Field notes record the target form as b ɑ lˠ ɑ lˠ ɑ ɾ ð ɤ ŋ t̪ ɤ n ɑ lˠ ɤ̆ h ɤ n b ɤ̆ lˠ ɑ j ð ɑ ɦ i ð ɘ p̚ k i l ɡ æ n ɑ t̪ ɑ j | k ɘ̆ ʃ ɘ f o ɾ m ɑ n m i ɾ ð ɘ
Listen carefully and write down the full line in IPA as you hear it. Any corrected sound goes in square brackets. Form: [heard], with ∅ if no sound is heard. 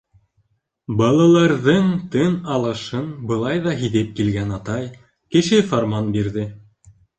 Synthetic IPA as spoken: b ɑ lˠ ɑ lˠ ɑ ɾ ð ɤ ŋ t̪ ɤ n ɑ lˠ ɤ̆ [ʃ] ɤ n b ɤ̆ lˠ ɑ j ð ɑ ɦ i ð ɘ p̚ k i l ɡ æ n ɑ t̪ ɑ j | k ɘ̆ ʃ ɘ f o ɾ m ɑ n [b] i ɾ ð ɘ